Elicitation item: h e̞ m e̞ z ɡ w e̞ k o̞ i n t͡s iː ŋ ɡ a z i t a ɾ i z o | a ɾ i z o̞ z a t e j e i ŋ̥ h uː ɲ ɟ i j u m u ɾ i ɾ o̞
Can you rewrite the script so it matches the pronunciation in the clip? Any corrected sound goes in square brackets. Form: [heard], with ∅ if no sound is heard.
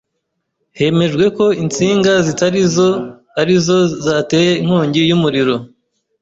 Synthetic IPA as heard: h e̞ m e̞ [ʒ] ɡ w e̞ k o̞ i n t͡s iː ŋ ɡ a z i t a ɾ i z o | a ɾ i z o̞ z a t e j e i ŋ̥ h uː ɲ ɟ i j u m u ɾ i ɾ o̞